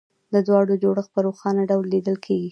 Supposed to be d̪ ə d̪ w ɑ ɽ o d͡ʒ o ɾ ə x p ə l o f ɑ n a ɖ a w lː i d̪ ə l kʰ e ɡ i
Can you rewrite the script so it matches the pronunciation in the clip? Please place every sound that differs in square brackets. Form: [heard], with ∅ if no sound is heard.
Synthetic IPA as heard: d̪ ə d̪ w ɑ ɽ o d͡ʒ o [ɽ] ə x p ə [ɾ] o [x] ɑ n a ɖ a w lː i d̪ ə l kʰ e ɡ i